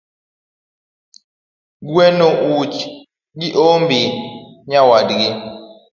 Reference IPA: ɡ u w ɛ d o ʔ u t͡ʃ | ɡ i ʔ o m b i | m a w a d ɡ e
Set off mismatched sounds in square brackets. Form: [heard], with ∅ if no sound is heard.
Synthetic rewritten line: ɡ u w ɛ [n] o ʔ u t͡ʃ | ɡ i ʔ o m b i | [ɲ] a w a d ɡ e

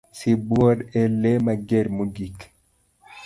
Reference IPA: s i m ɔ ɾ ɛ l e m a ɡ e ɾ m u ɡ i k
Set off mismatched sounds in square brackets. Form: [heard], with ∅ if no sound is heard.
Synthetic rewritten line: s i [b] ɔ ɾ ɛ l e m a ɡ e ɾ m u ɡ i k

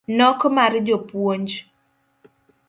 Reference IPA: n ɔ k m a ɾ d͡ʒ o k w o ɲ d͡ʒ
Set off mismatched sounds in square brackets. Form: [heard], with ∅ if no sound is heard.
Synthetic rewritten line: n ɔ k m a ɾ d͡ʒ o [p] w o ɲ d͡ʒ

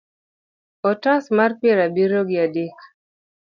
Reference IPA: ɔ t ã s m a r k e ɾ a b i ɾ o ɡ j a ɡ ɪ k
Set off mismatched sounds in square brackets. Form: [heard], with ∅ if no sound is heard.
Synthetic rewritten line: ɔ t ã s m a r [p] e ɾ a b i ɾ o ɡ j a [d] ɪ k

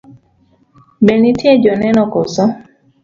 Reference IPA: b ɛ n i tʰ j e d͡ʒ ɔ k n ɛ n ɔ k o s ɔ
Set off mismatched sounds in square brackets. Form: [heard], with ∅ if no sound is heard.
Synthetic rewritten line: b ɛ n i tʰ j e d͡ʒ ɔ [∅] n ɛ n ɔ k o s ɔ

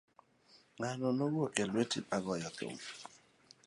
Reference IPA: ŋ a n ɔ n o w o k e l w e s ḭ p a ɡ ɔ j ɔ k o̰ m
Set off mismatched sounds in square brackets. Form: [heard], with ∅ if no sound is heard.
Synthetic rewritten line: ŋ a n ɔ n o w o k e l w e [t] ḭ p a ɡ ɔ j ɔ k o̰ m

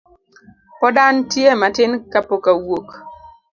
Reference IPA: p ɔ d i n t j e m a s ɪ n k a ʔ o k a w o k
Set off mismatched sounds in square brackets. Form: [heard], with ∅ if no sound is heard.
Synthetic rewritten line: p ɔ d [a] n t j e m a [t] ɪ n k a [p] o k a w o k

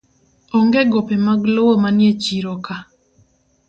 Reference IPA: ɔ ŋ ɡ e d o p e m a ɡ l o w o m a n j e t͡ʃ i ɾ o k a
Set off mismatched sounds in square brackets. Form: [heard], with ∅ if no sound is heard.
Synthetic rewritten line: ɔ ŋ ɡ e [ɡ] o p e m a ɡ l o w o m a n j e t͡ʃ i ɾ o k a

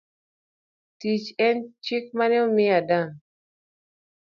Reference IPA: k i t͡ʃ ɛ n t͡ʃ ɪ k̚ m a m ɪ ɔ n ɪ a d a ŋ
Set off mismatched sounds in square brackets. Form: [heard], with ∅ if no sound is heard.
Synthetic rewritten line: [t] i t͡ʃ ɛ n t͡ʃ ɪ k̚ m a [n] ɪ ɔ [m] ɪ a d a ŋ

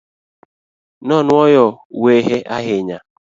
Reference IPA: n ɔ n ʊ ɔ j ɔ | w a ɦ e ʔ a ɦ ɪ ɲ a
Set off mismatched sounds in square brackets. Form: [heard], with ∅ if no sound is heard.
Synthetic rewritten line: n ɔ n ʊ ɔ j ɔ | w [e] ɦ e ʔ a ɦ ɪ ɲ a

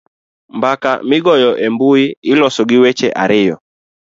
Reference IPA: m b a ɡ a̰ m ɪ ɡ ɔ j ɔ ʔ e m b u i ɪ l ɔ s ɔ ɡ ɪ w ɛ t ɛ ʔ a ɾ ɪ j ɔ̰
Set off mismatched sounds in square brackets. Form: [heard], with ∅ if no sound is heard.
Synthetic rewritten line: m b a [k] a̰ m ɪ ɡ ɔ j ɔ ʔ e m b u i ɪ l ɔ s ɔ ɡ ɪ w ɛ [t͡ʃ] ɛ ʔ a ɾ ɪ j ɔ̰

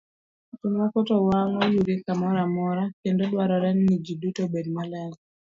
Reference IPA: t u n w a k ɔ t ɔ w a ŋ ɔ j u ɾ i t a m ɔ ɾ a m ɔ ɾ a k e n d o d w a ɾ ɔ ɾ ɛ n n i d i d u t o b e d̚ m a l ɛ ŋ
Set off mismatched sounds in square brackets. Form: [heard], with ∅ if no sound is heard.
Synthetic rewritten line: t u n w a k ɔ t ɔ w a ŋ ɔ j u ɾ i [k] a m ɔ ɾ a m ɔ ɾ a k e n d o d w a ɾ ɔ ɾ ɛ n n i [d͡ʒ] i d u t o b e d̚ m a l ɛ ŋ

